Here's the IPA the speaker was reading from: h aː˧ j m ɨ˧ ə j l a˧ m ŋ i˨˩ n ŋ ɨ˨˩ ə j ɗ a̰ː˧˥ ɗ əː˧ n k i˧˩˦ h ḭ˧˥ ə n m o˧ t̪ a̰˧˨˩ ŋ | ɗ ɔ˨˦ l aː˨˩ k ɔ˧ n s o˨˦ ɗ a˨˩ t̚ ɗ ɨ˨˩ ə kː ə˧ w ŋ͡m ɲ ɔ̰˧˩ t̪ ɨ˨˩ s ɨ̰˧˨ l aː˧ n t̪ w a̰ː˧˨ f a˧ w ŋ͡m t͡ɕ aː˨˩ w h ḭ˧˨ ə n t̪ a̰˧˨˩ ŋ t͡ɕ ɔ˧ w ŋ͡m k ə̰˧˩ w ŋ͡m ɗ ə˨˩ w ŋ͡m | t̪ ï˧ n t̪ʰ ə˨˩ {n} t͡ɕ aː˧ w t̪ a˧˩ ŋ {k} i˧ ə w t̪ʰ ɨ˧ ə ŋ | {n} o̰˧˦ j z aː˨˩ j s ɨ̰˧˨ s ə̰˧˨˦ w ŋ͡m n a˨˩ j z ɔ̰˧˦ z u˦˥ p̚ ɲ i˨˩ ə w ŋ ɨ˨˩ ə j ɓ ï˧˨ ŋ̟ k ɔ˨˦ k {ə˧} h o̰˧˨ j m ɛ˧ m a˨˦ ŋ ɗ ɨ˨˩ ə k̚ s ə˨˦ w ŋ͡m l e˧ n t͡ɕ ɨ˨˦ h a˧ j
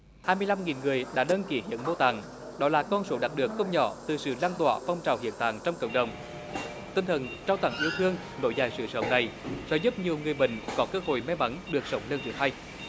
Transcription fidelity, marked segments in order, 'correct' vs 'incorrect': correct, incorrect: ʔ, correct, incorrect: əː˧

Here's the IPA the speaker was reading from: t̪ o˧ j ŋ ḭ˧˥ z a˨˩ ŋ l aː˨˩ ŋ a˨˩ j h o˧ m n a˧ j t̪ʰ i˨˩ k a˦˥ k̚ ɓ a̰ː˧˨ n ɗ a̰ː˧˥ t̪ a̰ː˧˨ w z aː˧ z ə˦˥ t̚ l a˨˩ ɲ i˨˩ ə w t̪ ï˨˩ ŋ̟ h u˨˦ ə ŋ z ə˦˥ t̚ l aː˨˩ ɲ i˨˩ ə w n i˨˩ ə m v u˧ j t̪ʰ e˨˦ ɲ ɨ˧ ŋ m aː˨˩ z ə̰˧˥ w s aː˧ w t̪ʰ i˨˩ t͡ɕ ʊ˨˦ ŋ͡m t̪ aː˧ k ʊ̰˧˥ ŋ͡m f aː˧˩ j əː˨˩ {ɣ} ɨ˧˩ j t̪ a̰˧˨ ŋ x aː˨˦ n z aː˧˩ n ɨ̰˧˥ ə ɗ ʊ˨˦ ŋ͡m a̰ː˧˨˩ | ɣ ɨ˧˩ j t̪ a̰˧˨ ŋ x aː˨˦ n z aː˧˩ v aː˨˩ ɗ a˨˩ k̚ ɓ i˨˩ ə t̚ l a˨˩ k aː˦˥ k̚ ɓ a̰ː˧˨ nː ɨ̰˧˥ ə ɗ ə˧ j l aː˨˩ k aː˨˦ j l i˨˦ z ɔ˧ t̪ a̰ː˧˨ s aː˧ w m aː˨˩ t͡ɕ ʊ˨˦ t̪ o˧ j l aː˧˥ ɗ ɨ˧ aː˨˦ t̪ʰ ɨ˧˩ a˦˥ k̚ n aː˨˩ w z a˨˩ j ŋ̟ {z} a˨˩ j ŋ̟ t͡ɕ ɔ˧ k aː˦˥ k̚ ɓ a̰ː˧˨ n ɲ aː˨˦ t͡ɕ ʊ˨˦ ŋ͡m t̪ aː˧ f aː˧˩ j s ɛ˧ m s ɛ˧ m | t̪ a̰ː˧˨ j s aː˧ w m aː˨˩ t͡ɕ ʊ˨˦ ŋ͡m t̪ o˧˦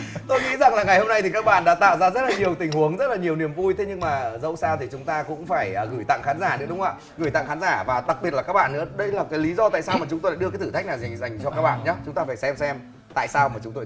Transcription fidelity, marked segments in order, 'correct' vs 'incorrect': correct, correct

